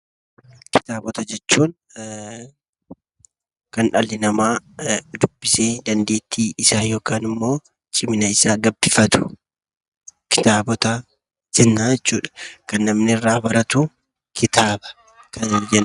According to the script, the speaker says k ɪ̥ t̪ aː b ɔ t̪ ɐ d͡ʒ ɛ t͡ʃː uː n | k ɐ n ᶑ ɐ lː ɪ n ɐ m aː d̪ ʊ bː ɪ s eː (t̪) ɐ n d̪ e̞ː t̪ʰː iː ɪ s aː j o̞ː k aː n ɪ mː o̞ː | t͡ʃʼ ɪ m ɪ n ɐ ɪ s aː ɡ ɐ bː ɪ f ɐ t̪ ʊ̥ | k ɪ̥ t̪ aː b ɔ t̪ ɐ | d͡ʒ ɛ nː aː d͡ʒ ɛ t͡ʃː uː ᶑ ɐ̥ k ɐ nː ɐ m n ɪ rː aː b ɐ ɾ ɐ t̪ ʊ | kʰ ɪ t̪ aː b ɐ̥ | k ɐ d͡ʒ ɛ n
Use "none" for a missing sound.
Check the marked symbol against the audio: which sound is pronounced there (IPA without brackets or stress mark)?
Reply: d̪